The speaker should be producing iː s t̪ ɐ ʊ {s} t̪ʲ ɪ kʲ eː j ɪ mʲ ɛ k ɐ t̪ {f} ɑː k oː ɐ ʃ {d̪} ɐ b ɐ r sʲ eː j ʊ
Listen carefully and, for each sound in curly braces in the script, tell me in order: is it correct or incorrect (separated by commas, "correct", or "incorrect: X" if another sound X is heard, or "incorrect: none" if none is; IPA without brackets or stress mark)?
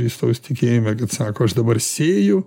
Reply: correct, incorrect: s, correct